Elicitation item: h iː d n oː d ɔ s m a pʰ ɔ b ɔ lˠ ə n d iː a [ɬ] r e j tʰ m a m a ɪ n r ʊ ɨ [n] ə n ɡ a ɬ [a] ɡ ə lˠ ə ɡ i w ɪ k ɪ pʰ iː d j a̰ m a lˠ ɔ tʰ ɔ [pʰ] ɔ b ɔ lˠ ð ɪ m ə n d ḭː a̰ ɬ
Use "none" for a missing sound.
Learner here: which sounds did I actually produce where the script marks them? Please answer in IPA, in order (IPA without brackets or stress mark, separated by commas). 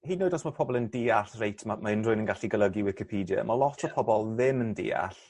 ɬ, n, i, pʰ